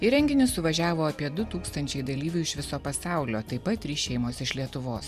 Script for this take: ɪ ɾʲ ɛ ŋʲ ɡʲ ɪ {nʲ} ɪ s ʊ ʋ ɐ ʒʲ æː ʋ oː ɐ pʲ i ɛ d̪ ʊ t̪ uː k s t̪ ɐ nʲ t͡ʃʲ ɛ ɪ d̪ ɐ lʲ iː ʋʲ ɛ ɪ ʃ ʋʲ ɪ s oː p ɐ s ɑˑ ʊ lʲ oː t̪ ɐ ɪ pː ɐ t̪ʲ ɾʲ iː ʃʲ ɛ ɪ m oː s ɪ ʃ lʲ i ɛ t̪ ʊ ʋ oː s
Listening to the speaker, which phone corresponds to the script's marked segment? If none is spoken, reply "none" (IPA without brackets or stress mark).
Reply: nʲ